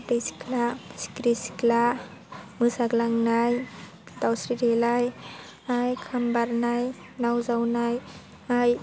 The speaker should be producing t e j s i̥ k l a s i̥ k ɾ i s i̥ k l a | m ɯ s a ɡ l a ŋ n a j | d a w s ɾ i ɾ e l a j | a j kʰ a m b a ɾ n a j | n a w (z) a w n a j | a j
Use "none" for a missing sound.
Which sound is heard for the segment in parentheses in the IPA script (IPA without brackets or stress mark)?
z